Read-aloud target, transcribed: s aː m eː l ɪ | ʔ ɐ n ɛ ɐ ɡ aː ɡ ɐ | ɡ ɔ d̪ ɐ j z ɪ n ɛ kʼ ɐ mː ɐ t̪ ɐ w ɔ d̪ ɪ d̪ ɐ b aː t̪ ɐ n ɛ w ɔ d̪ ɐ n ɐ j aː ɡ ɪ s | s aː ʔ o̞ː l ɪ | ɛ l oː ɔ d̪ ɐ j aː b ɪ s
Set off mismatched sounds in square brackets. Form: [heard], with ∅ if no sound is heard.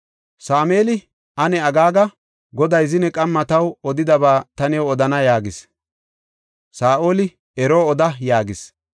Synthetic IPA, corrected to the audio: s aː m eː l ɪ | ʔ ɐ n ɛ ɐ ɡ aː ɡ ɐ | ɡ ɔ d̪ ɐ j z ɪ n ɛ kʼ ɐ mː ɐ t̪ ɐ w ɔ d̪ ɪ d̪ ɐ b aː t̪ ɐ n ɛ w ɔ d̪ ɐ n ɐ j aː ɡ ɪ s | s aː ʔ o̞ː l ɪ | ɛ [ɾ] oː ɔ d̪ ɐ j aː [ɡ] ɪ s